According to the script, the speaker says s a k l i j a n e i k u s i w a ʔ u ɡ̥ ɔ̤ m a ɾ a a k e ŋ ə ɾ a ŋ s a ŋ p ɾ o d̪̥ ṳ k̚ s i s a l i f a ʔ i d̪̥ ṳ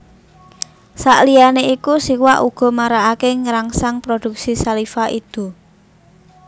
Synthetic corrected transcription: s a ʔ l i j a n e i k u s i w a ʔ u ɡ̥ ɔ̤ m a ɾ a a k e ŋ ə ɾ a ŋ s a ŋ p ɾ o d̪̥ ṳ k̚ s i s a l i f a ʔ i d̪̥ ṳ